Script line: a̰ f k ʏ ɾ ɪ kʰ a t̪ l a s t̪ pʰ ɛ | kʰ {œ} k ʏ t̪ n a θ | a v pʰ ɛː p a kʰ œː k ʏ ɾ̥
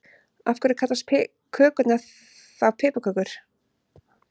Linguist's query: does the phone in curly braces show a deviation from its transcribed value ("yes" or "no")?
yes